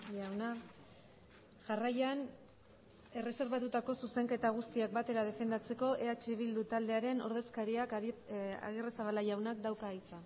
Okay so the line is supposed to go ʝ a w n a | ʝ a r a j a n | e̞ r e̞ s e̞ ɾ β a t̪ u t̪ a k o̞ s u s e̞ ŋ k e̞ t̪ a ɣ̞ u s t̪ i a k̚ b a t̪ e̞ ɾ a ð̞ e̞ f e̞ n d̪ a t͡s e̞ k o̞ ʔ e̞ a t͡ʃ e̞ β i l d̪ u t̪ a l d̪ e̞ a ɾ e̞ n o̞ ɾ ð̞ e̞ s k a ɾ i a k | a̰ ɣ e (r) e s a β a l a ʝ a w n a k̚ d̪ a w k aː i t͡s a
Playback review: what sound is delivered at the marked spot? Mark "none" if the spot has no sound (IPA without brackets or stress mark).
r